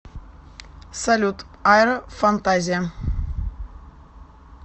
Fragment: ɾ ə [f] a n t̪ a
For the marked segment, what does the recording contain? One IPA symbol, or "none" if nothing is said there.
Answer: f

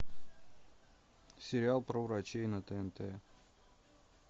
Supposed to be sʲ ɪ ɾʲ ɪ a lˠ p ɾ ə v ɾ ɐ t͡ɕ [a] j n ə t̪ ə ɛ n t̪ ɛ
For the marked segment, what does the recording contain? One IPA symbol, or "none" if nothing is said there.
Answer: e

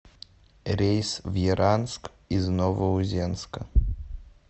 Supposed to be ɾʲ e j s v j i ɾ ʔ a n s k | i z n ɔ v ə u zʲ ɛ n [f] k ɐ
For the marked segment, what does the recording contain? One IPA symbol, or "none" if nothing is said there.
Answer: s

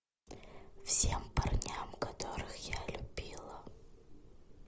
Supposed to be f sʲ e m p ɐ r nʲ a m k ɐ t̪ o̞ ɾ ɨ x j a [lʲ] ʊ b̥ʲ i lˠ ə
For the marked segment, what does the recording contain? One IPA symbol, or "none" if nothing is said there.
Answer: lʲ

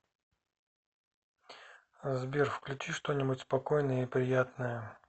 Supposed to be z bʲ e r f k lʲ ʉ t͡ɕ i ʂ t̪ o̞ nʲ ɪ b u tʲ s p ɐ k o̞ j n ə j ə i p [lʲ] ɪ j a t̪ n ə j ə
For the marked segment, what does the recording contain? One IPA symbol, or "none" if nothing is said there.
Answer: ɾʲ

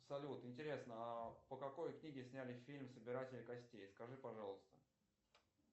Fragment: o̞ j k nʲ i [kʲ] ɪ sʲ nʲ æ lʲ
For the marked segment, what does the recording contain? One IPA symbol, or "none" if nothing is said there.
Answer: ɡʲ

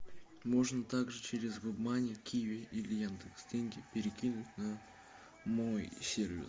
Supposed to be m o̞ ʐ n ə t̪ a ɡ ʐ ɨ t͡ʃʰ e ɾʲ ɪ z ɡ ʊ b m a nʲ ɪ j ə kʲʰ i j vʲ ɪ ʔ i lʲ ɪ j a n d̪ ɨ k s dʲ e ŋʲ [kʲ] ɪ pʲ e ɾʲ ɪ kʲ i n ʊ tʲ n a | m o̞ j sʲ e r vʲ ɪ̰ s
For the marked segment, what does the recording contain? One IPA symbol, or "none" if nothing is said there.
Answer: ɡʲ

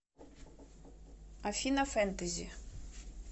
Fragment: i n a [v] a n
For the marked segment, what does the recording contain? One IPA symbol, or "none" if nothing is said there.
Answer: f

